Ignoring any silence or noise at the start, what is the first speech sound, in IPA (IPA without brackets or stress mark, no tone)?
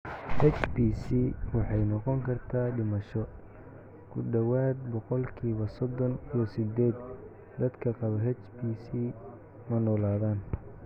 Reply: h